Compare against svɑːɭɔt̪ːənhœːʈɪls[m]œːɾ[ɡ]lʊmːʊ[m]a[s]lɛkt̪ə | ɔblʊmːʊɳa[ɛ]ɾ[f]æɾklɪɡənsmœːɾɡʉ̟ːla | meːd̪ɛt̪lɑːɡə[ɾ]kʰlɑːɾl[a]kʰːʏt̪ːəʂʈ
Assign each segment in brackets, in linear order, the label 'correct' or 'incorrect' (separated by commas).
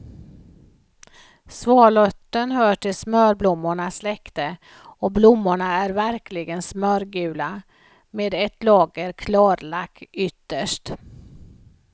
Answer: correct, incorrect, incorrect, correct, incorrect, incorrect, correct, correct